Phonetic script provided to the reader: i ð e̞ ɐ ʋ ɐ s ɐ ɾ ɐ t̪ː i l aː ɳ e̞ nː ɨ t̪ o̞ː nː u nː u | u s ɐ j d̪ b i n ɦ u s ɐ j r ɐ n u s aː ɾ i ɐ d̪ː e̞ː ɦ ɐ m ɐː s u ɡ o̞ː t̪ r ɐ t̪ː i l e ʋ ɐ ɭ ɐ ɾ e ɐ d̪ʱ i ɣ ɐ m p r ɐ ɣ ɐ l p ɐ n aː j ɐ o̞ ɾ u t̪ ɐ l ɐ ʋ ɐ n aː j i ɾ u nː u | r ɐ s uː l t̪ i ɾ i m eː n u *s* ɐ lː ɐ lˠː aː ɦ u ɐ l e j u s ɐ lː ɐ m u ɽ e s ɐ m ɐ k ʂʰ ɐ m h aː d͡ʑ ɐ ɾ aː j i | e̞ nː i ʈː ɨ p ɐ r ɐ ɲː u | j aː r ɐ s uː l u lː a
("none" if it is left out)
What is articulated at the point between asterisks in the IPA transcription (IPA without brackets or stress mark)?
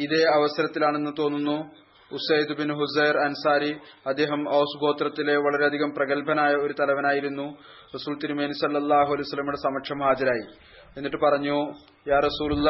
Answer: s